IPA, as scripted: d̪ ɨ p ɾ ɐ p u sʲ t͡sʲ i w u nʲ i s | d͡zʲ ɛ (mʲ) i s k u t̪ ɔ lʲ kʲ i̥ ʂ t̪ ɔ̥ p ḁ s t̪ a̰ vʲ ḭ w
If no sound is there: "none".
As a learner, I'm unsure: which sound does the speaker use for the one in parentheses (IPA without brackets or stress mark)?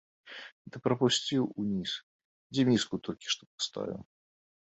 mʲ